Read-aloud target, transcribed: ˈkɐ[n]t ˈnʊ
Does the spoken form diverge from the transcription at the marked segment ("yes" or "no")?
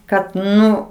yes